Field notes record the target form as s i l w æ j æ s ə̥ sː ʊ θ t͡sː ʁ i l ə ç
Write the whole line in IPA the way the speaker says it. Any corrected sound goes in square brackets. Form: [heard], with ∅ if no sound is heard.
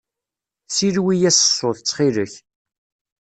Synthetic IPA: s i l w [i] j æ s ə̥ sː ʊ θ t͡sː [χ] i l ə ç